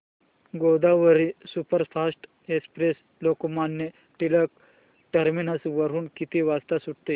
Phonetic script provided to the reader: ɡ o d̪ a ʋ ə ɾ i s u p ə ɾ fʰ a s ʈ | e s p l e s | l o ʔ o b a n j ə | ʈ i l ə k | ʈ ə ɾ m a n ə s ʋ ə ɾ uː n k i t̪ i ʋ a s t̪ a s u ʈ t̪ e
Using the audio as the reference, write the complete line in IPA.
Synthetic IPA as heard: ɡ o d̪ a ʋ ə ɾ i s u p ə ɾ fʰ a s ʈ | e s p ɾ e s | l o k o m a n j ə | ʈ i l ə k | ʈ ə ɾ m i n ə s ʋ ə ɾ uː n k i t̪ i ʋ a s t̪ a s u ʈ t̪ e